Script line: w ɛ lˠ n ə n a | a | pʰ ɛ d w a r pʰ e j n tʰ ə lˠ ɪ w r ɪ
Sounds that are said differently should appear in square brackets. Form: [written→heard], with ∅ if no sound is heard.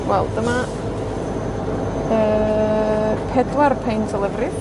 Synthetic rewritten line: w ɛ lˠ [n→d] ə [n→m] a | [a→ə] | pʰ ɛ d w a r pʰ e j n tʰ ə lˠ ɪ [w→v] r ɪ